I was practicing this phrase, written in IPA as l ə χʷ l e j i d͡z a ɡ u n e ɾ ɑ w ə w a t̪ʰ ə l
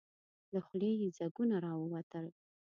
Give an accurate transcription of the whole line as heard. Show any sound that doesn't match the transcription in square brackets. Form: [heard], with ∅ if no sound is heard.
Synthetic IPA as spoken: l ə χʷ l e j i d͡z a ɡ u n [a] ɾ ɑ w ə w a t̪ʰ ə l